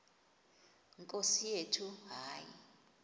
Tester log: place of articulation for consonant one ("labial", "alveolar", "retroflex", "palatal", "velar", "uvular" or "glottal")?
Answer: velar